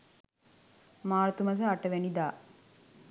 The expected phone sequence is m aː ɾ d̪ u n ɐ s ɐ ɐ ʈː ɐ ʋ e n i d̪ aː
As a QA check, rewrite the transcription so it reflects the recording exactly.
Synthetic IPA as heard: m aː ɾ t̪ u m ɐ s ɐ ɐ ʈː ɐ ʋ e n i d̪ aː